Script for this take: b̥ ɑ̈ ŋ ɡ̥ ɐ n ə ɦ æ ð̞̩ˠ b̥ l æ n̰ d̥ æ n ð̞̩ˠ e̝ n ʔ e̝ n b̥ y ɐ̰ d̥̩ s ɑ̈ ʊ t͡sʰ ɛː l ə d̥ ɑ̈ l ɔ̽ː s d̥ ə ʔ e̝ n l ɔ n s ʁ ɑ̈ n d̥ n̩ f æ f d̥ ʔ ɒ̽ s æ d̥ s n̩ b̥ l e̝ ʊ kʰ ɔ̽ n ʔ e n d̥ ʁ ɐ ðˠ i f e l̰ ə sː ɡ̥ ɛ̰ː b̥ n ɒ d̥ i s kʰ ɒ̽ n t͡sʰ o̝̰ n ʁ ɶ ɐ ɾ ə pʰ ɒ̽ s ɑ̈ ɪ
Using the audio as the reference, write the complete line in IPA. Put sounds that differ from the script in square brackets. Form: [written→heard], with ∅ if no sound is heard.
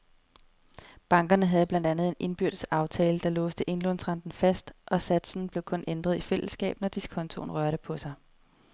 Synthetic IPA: b̥ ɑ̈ ŋ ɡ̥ ɐ n ə ɦ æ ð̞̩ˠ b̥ l æ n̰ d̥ æ n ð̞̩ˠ e̝ n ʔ e̝ n b̥ y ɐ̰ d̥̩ s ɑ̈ ʊ t͡sʰ ɛː l ə d̥ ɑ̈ l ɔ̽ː s d̥ ə ʔ e̝ n l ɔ n s ʁ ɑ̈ n d̥ n̩ f æ [f→s] d̥ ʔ ɒ̽ s æ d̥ s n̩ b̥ l e̝ ʊ kʰ ɔ̽ n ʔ e n d̥ ʁ ɐ ðˠ i f e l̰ ə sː ɡ̥ ɛ̰ː b̥ n ɒ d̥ i s kʰ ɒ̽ n t͡sʰ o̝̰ n ʁ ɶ ɐ ɾ ə pʰ ɒ̽ s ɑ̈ ɪ